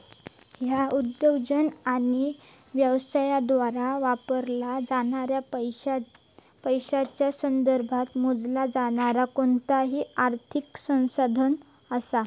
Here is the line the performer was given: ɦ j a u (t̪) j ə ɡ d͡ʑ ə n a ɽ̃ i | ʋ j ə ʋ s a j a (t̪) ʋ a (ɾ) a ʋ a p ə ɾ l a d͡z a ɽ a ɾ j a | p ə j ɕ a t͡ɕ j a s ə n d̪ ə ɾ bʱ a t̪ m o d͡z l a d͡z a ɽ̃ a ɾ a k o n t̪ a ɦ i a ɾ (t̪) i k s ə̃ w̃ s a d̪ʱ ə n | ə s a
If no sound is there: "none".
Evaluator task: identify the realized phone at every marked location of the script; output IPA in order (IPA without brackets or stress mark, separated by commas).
d̪, d̪, ɾ, t̪ʰ